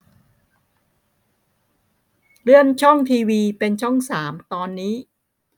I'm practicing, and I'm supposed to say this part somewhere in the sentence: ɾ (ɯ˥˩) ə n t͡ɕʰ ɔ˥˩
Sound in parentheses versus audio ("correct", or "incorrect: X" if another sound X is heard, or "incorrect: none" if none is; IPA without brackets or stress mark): correct